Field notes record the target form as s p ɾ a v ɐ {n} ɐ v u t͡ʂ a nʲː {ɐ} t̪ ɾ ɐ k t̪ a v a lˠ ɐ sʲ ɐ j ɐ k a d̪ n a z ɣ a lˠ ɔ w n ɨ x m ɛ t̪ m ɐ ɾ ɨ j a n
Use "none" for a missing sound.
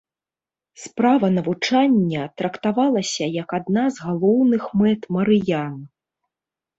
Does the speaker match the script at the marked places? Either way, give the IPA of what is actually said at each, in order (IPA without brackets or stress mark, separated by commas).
n, ɐ